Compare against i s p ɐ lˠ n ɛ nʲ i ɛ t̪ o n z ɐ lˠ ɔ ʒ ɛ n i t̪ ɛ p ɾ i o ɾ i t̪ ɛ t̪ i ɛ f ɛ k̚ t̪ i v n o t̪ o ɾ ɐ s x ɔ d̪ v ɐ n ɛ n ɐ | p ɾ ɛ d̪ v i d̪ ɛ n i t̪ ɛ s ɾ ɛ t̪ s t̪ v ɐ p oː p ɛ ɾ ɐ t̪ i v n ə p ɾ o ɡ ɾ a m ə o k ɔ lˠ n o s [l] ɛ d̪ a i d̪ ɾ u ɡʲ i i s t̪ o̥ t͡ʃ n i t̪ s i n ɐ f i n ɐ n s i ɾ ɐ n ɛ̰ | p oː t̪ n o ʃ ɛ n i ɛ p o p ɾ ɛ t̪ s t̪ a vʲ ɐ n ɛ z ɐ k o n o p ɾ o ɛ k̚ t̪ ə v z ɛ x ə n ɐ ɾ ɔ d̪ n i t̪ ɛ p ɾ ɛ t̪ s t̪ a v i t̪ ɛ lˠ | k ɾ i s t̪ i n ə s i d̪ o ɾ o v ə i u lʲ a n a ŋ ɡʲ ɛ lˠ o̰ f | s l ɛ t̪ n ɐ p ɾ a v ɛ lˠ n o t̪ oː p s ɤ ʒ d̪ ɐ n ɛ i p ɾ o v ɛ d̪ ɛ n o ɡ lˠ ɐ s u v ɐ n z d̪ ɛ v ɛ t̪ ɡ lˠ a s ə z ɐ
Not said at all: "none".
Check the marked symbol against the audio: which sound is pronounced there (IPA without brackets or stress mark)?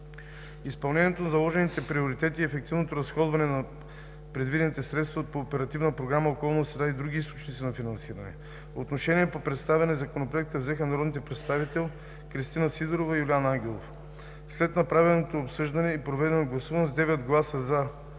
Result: ɾ